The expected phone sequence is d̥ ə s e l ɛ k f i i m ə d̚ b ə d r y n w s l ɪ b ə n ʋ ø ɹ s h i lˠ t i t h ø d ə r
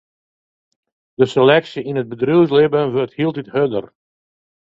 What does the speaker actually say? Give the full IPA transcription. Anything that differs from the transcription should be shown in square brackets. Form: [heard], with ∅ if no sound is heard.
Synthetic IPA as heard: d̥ ə s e l ɛ k [s] i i [n] ə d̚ b ə d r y [∅] w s l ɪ b ə n ʋ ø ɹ [t] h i lˠ t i t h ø d ə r